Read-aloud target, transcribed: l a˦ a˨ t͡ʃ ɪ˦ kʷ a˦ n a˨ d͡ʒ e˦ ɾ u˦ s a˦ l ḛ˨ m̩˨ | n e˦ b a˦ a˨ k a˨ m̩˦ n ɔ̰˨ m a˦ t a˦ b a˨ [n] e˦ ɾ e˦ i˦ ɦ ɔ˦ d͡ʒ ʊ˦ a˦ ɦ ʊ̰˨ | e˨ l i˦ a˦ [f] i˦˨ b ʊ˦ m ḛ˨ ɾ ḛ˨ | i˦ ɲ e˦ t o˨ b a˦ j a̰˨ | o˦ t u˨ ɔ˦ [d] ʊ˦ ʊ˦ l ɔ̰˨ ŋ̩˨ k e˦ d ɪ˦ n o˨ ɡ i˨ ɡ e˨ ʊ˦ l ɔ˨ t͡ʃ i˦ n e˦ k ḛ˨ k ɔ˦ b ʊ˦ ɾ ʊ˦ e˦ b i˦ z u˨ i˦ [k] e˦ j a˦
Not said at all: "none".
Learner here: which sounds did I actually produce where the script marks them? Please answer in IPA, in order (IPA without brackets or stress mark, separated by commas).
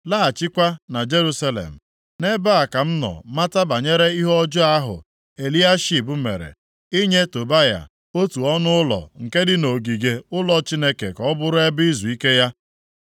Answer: ɲ, ʃ, n, k